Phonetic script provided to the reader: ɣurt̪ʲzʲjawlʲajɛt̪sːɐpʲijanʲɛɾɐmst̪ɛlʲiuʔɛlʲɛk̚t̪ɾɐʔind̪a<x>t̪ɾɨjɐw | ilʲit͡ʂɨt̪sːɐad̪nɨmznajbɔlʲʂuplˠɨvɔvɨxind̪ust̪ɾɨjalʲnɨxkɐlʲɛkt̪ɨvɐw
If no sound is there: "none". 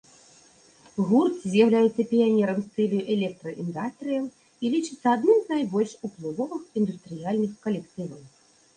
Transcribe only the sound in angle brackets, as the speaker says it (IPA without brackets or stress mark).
s